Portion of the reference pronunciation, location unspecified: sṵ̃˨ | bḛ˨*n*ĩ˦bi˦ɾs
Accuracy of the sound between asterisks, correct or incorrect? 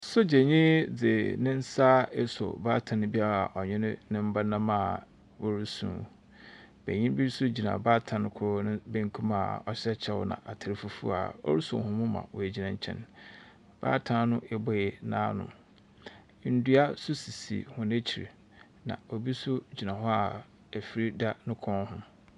incorrect